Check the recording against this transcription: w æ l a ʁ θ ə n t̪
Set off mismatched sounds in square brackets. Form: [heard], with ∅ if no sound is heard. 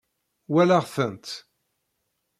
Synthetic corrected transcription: w æ l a ʁ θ ə n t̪